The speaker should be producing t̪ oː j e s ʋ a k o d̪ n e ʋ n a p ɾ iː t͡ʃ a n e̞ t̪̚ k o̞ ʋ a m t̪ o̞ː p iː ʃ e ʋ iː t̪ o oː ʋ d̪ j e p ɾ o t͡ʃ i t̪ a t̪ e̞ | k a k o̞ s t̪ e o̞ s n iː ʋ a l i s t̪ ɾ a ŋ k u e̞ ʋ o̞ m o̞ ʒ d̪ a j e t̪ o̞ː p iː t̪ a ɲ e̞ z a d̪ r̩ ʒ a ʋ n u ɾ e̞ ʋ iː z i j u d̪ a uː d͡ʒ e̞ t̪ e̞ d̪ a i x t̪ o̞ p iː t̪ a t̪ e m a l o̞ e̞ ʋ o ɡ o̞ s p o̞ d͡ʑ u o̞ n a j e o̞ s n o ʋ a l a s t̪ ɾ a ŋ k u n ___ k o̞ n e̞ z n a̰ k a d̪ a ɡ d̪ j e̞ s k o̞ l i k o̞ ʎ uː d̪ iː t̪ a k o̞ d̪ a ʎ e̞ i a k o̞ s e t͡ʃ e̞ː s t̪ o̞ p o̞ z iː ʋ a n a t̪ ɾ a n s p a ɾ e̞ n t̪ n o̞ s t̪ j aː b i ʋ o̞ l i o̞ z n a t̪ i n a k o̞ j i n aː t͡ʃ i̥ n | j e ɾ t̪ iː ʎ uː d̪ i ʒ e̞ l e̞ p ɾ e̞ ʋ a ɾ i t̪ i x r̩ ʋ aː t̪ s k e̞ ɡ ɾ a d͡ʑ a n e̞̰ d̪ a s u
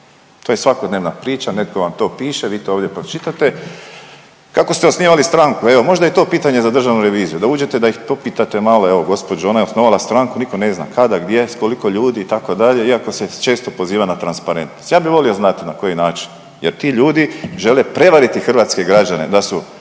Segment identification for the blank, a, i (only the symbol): i